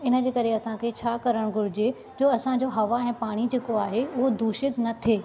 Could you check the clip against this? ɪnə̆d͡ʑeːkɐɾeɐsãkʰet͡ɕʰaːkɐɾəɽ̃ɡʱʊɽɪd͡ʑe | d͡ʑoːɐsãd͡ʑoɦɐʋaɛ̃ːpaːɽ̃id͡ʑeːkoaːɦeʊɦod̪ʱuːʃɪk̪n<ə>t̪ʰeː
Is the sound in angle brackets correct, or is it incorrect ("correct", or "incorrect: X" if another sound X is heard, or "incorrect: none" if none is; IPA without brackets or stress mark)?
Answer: incorrect: ɐ